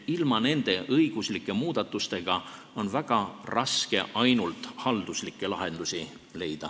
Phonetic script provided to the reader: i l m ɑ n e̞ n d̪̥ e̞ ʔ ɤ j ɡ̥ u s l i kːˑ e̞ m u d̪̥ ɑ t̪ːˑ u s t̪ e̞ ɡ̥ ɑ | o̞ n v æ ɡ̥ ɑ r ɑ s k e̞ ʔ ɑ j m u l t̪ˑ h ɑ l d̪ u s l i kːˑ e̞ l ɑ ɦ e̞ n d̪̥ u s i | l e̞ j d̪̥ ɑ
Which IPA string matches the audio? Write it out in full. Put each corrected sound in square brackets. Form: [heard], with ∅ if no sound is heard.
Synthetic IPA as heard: i l m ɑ n e̞ n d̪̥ e̞ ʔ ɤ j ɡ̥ u s l i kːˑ e̞ m [uː] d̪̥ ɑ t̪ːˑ u s t̪ e̞ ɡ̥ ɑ | o̞ n v æ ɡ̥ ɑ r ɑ s k e̞ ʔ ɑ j [n] u l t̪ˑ h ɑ l d̪ u s l i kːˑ e̞ l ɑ ɦ e̞ n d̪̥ u s i | l e̞ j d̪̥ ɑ